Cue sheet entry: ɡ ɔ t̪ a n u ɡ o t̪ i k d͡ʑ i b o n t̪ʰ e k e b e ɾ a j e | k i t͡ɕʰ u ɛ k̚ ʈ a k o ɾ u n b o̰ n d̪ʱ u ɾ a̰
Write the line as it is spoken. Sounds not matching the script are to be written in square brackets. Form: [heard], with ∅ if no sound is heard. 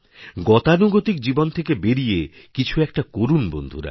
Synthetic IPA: ɡ ɔ t̪ a n u ɡ o t̪ i k d͡ʑ i b o n t̪ʰ e k e b e ɾ [i] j e | k i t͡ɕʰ u ɛ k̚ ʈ a k o ɾ u n b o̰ n d̪ʱ u ɾ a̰

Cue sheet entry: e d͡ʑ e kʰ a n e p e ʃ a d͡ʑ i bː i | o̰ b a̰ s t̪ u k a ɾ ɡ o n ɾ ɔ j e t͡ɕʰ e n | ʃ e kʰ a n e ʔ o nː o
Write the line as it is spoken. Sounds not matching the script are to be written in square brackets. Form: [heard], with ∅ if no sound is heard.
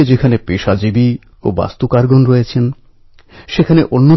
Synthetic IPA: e d͡ʑ e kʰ a n e p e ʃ a d͡ʑ i [b] i | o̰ b a̰ s t̪ u k a ɾ ɡ o n ɾ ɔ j e t͡ɕʰ e n | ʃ e kʰ a n e ʔ o nː o

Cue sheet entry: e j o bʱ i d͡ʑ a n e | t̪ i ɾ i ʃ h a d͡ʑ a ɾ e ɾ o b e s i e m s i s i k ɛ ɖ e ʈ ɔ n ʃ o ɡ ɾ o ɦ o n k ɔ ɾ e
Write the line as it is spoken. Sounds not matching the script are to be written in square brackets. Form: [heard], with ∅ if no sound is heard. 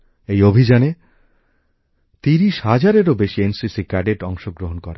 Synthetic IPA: e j o bʱ i d͡ʑ a n e | t̪ i ɾ i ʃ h a d͡ʑ a ɾ e ɾ o b e [ʃ] i e [n] s i s i k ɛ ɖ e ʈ ɔ [ŋ] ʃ o ɡ ɾ o ɦ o n k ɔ ɾ e

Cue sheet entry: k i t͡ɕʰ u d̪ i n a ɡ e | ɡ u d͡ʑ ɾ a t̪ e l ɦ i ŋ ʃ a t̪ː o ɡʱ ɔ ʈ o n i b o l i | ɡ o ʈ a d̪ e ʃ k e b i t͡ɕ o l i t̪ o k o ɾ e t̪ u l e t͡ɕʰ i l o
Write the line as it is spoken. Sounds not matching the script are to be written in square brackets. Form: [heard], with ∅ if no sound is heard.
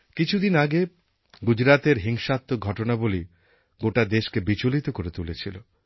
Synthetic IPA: k i t͡ɕʰ u d̪ i n a ɡ e | ɡ u d͡ʑ ɾ a t̪ e [ɾ] ɦ i ŋ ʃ a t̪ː o ɡʱ ɔ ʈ o n [a] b o l i | ɡ o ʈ a d̪ e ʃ k e b i t͡ɕ o l i t̪ o k o ɾ e t̪ u l e t͡ɕʰ i l o

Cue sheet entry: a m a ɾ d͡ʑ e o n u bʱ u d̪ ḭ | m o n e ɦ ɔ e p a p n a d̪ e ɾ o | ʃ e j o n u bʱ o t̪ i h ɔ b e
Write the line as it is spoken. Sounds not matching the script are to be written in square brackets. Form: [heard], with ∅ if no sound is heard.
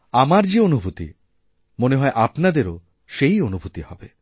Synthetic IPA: a m a ɾ d͡ʑ e o n u bʱ u [t̪] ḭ | m o n e ɦ ɔ e [ʔ] a p n a d̪ e ɾ o | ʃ e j o n u bʱ [u] t̪ i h ɔ b e

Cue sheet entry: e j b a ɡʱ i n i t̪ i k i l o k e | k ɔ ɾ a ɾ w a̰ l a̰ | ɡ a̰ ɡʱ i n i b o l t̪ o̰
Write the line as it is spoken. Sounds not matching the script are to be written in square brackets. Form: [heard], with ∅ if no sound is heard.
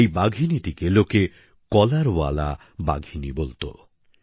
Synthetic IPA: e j b a ɡʱ i n i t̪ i k [e] l o k e | k ɔ [l] a ɾ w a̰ l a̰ | [b] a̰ ɡʱ i n i b o l t̪ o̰

